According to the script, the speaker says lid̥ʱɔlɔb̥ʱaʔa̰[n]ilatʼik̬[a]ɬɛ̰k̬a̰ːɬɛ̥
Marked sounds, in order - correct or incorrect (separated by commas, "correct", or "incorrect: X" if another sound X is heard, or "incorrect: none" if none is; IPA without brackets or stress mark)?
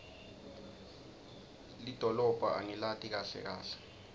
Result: incorrect: ŋ, correct